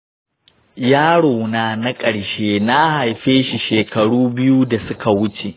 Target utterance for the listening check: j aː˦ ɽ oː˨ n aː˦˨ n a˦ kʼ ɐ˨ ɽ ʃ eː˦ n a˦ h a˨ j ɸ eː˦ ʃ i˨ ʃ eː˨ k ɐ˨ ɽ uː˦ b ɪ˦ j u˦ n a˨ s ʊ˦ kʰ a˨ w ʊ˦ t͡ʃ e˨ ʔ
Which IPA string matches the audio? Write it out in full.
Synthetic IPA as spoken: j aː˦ ɽ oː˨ n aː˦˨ n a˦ kʼ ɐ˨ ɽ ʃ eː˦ n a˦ h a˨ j ɸ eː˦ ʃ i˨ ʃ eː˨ k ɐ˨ ɽ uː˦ b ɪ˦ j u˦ d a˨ s ʊ˦ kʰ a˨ w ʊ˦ t͡ʃ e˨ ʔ